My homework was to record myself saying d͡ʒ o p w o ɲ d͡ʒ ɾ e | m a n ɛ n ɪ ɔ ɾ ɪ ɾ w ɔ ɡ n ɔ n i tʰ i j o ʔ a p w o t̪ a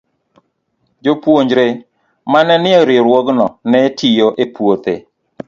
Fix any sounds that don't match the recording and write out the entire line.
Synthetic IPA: d͡ʒ o p w o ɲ d͡ʒ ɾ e | m a n ɛ n ɪ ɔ ɾ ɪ ɾ w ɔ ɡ n ɔ n ɛ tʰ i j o ʔ e p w o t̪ e